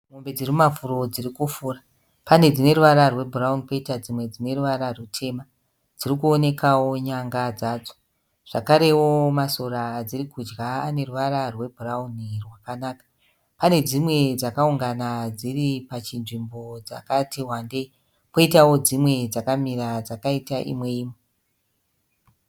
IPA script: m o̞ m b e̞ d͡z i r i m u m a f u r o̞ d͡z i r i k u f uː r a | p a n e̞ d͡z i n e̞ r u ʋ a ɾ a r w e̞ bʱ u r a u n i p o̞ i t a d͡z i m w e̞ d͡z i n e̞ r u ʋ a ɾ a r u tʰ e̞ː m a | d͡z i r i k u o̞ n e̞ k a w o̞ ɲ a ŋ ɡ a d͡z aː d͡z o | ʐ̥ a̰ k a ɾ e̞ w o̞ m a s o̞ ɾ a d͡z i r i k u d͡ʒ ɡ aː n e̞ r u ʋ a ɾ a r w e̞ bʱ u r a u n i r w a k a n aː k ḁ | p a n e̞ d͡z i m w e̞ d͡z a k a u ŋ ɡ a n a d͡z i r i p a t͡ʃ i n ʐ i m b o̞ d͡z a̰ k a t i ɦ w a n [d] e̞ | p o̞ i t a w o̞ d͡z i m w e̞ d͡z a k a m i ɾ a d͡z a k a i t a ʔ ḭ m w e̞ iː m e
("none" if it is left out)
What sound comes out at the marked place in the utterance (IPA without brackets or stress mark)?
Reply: d